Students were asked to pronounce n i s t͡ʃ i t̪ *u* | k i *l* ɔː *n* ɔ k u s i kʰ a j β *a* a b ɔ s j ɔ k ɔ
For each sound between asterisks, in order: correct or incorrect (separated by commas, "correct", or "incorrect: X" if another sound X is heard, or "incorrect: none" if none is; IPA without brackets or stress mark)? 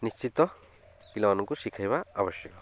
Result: incorrect: ɔ, correct, correct, correct